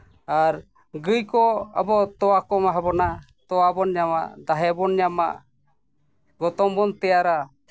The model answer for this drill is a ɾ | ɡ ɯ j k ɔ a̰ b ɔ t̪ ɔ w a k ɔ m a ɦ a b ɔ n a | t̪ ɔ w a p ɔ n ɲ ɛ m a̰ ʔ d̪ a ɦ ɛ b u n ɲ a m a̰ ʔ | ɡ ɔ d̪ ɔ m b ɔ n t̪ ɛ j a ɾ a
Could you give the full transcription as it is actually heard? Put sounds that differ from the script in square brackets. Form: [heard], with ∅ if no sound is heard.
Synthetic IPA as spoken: a ɾ | ɡ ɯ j k ɔ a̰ b ɔ t̪ ɔ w a k ɔ m a ɦ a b ɔ n a | t̪ ɔ w a [b] ɔ n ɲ [a] m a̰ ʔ d̪ a ɦ ɛ b [ɔ] n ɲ a m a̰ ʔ | ɡ ɔ [t̪] ɔ m b ɔ n t̪ ɛ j a ɾ a